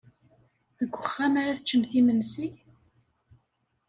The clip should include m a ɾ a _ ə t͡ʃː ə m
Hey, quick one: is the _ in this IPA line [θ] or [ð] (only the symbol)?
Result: θ